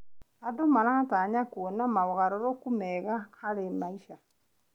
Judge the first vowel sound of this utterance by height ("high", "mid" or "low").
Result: low